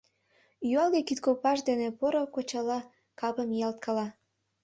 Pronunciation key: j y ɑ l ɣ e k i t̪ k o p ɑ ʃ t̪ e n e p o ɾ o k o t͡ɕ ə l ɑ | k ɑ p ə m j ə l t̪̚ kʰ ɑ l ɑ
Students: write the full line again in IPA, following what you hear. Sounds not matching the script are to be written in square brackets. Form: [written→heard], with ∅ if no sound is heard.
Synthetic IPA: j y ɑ l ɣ e k i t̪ k o p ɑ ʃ [t̪→d̪] e n e p o ɾ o k o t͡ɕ [ə→ɑ] l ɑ | k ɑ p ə m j [ə→ɑ] l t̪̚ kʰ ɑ l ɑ